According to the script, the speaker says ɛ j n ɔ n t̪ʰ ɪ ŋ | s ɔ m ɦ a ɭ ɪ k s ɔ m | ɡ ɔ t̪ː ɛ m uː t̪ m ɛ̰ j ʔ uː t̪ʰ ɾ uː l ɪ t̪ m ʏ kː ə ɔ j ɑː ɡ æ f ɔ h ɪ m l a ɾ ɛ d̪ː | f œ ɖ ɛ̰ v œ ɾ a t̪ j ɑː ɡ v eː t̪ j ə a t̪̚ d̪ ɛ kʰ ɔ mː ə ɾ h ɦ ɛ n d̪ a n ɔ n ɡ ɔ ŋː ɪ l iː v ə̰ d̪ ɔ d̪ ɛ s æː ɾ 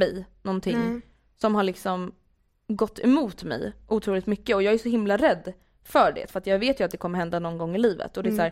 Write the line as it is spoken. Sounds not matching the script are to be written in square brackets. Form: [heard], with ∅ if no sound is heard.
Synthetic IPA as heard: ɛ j n ɔ n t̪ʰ ɪ ŋ | s ɔ m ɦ a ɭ ɪ k s ɔ m | ɡ ɔ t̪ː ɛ m uː t̪ m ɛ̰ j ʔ uː t̪ʰ ɾ uː l ɪ t̪ m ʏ kː ə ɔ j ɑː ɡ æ [ʂ] ɔ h ɪ m l a ɾ ɛ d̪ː | f œ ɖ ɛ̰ [f] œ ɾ a t̪ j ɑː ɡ v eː t̪ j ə a t̪̚ d̪ ɛ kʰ ɔ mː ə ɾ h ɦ ɛ n d̪ a n ɔ n ɡ ɔ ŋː ɪ l iː v ə̰ [t̪] ɔ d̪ ɛ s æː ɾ